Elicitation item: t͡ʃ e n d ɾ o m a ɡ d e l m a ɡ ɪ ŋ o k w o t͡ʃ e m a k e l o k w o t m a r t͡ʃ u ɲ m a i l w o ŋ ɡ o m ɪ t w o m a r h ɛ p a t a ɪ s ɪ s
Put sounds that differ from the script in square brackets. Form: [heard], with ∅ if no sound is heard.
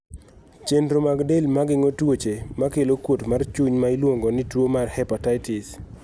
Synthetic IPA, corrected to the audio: t͡ʃ e n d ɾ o m a ɡ d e l m a ɡ ɪ ŋ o [t] w o t͡ʃ e m a k e l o k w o t m a r t͡ʃ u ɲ m a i l w o ŋ ɡ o [n] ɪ t w o m a r h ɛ p a t a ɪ [t] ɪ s